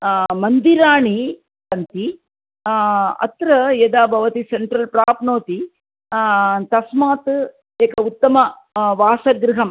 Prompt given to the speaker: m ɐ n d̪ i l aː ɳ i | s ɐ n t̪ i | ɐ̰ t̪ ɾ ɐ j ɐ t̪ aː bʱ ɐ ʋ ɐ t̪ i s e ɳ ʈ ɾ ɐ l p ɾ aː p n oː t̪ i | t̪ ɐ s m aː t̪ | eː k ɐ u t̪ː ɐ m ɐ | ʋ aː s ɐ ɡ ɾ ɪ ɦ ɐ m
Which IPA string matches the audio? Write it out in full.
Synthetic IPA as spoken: m ɐ n d̪ i ɾ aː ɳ i | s ɐ n t̪ i | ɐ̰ t̪ ɾ ɐ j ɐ d̪ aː bʱ ɐ ʋ ɐ t̪ i s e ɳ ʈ ɾ ɐ l p ɾ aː p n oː t̪ i | t̪ ɐ s m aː t̪ | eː k ɐ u t̪ː ɐ m ɐ | ʋ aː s ɐ ɡ ɾ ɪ ɦ ɐ m